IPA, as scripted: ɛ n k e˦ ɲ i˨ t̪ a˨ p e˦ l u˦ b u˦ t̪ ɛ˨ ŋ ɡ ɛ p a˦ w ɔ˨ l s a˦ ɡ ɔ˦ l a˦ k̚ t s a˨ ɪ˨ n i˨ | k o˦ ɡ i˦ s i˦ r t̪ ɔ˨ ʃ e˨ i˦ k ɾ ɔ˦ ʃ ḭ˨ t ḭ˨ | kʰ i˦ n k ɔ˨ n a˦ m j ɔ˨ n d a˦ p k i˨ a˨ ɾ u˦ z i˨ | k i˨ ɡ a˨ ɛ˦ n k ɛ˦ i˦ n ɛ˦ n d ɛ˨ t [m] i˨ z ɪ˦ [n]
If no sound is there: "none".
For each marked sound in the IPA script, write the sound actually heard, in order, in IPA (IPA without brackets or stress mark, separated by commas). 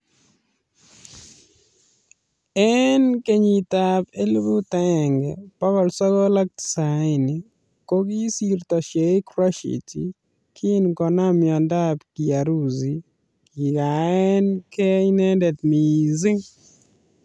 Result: m, ŋ